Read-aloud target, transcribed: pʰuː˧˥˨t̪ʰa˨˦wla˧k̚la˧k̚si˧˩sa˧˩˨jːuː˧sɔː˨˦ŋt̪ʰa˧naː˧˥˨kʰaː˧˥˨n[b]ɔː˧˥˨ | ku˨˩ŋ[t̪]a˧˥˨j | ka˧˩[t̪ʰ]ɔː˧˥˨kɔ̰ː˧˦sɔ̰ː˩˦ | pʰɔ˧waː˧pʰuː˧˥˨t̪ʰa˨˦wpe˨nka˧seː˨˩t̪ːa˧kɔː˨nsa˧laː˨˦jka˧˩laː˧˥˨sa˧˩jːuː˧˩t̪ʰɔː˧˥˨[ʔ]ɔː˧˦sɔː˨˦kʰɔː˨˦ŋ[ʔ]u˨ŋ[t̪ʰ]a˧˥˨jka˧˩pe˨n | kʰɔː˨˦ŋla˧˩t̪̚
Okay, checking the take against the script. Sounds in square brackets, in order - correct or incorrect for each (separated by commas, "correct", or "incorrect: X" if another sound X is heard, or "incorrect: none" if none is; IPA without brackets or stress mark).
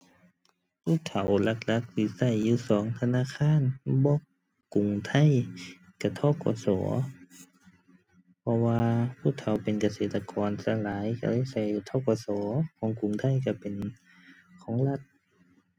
correct, incorrect: t̪ʰ, correct, incorrect: k, incorrect: k, correct